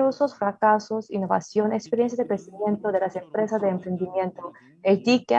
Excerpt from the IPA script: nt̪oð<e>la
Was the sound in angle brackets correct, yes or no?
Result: yes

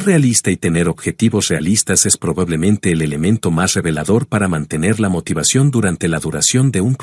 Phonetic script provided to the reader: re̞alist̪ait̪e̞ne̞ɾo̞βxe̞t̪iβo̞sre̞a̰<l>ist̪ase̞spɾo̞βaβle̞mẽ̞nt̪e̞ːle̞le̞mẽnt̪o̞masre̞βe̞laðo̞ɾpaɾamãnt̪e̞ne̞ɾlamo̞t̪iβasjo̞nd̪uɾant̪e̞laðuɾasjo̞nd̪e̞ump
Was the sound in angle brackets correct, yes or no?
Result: yes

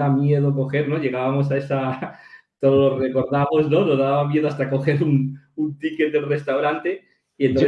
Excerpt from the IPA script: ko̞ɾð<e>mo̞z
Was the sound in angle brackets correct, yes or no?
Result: no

